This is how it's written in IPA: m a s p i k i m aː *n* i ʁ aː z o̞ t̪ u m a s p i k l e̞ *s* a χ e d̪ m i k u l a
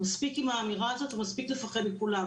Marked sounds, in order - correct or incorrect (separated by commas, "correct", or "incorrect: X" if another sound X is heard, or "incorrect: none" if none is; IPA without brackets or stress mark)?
incorrect: m, incorrect: f